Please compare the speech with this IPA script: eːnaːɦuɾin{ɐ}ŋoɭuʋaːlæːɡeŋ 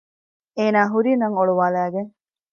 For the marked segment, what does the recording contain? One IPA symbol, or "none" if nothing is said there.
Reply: ɐ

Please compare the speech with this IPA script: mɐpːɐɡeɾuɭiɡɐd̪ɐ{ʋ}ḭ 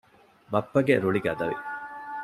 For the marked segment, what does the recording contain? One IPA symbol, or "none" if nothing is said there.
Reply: ʋ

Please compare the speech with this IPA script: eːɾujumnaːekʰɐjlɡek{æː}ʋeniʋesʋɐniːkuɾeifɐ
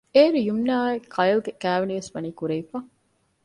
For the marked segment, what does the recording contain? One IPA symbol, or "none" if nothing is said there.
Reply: æː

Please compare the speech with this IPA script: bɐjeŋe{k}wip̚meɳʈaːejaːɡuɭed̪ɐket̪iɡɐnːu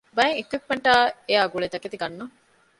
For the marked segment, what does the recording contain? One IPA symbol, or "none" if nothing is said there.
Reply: k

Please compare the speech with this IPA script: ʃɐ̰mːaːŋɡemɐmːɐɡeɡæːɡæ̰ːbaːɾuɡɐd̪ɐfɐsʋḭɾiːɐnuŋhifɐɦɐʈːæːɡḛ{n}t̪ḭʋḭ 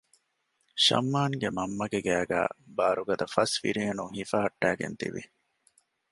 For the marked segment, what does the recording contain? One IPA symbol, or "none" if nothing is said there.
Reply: n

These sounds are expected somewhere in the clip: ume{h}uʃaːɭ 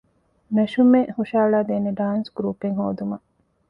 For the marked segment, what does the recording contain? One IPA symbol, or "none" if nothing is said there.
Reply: h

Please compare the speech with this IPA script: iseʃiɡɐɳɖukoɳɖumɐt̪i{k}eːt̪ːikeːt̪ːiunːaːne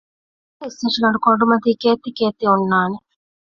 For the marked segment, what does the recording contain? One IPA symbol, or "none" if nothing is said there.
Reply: k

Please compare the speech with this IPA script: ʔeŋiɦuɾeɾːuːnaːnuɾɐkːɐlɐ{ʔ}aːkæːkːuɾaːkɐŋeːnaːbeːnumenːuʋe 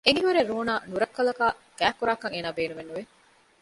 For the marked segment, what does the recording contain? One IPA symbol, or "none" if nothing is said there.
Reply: k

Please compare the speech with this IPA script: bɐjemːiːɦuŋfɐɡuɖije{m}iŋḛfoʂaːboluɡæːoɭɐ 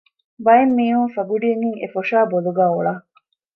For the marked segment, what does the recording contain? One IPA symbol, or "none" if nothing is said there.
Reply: ŋ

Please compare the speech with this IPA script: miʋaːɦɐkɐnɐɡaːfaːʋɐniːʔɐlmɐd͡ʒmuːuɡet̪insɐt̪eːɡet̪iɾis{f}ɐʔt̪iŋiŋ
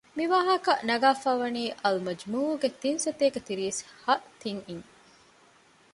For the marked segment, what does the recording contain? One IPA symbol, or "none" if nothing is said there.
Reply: h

